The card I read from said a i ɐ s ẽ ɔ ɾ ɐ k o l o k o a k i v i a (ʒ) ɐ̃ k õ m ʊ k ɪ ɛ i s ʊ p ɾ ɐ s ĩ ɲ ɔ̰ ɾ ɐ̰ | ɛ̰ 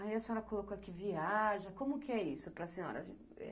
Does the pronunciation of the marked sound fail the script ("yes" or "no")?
no